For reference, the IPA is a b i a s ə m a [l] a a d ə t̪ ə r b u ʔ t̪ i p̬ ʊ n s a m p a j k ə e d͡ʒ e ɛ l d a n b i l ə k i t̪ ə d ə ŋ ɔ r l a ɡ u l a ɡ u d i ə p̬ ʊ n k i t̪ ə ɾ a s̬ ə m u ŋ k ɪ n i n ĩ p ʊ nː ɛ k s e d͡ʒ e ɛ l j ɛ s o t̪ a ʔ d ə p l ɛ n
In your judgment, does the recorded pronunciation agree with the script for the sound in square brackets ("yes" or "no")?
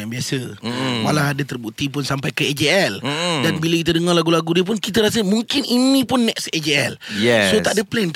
yes